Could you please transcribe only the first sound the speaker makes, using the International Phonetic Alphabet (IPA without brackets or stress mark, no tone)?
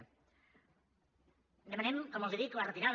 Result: d̪